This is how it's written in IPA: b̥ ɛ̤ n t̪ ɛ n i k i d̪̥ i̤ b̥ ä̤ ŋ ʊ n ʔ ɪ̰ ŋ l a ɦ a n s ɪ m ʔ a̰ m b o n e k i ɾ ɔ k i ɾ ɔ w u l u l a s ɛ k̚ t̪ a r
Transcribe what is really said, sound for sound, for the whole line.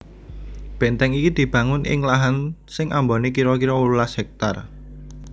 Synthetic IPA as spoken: b̥ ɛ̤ n t̪ ɛ ŋ i k i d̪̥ i̤ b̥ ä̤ ŋ ʊ n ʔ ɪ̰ ŋ l a ɦ a n s ɪ ŋ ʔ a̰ m b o n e k i ɾ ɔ k i ɾ ɔ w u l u l a s ɛ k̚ t̪ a r